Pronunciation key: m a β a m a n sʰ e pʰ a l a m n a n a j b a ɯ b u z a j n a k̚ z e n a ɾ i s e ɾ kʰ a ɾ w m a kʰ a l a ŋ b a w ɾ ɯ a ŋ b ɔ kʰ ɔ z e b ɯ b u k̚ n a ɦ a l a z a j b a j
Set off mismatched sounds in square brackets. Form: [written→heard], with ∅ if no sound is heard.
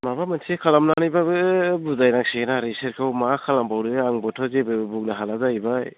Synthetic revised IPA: m a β a m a n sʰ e [pʰ→kʰ] a l a m n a n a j b a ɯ b u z a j n a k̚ [z→s] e n a ɾ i s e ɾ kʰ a [ɾ→∅] w m a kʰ a l a [ŋ→m] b a w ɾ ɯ a ŋ b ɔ [kʰ→tʰ] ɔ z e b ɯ b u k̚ n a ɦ a l a z a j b a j